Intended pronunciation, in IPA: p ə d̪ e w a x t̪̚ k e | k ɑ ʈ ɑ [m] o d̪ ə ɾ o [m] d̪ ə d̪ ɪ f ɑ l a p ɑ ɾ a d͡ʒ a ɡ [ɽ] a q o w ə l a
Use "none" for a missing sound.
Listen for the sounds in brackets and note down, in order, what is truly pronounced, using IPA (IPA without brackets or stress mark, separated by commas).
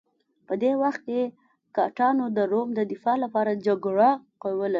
n, m, ɽ